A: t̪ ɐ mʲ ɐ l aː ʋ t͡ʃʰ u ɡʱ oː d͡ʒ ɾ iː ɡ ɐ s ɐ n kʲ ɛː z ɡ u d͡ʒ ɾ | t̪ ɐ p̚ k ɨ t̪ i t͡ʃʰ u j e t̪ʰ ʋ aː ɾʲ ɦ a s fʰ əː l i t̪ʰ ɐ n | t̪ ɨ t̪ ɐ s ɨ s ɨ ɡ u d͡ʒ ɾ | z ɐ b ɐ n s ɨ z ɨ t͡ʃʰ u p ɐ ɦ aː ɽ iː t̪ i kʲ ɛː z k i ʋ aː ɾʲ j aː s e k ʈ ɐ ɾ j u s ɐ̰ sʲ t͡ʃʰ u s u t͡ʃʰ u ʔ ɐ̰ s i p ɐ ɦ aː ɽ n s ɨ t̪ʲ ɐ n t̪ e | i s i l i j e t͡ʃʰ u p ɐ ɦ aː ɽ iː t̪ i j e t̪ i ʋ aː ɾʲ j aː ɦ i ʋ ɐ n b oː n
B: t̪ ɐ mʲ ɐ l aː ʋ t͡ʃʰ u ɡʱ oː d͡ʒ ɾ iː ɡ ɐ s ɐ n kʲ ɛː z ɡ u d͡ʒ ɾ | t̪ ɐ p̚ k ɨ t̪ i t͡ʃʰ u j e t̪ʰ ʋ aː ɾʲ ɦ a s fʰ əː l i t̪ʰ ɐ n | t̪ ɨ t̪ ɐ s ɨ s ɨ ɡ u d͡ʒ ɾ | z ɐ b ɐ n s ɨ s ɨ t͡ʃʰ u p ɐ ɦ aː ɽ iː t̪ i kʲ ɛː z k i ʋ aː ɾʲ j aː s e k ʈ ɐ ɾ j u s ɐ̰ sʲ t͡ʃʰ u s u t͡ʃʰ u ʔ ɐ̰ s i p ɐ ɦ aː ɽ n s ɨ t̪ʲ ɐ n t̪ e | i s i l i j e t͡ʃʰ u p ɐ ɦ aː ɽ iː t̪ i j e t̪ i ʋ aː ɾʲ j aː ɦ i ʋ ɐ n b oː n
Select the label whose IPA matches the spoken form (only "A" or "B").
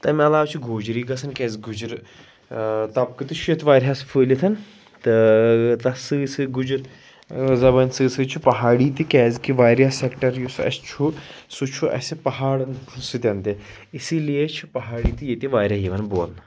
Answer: B